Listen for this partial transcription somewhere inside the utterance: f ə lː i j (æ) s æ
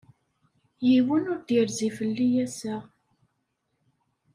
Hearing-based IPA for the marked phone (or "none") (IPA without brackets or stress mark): æ